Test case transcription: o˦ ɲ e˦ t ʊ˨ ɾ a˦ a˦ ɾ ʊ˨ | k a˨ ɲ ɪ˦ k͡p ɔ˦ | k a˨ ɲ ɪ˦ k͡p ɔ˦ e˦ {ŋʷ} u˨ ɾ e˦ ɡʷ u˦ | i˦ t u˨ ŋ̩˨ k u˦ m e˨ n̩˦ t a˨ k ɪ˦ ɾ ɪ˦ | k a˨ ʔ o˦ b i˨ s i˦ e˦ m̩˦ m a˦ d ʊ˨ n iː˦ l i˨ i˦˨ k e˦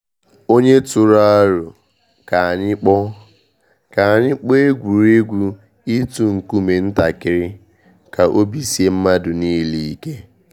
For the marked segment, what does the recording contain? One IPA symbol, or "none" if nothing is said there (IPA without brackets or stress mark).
ɡʷ